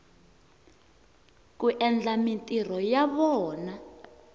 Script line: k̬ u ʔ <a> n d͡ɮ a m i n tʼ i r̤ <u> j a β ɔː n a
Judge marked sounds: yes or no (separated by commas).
no, no